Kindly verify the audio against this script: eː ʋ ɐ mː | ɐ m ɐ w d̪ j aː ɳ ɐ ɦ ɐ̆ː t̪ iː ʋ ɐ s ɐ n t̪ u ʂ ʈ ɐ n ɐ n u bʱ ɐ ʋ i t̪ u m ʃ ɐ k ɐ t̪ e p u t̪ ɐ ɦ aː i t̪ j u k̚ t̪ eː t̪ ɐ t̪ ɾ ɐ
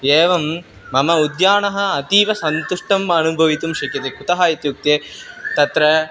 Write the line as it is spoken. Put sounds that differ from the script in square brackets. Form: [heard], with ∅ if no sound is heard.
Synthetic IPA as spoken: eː ʋ ɐ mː | ɐ m ɐ [u] d̪ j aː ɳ ɐ ɦ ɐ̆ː t̪ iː ʋ ɐ s ɐ n t̪ u ʂ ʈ ɐ [m] ɐ n u bʱ ɐ ʋ i t̪ u m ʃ ɐ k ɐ t̪ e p u t̪ ɐ ɦ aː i t̪ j u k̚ t̪ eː t̪ ɐ t̪ ɾ ɐ